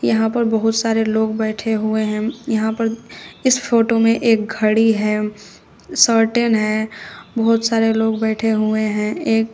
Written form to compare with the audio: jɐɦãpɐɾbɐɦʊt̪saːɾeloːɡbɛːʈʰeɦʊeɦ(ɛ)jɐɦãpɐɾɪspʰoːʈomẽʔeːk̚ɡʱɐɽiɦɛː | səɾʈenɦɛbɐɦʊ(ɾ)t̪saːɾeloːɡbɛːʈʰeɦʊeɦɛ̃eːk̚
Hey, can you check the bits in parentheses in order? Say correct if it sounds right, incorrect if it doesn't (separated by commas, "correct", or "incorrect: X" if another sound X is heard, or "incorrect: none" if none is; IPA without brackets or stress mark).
incorrect: ɛ̃, incorrect: none